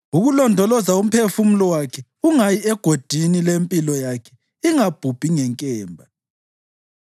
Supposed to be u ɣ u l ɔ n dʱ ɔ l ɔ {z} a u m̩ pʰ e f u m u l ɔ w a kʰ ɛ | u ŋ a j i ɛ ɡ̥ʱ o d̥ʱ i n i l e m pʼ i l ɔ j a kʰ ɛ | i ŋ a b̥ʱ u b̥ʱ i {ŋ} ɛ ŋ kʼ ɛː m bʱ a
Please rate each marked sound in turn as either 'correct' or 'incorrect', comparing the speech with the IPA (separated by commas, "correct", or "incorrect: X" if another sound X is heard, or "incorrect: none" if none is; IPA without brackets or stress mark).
correct, correct